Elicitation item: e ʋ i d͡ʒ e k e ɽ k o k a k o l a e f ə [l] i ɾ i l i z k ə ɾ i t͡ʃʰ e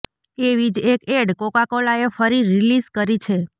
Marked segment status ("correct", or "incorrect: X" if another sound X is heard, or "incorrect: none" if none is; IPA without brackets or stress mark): incorrect: ɾ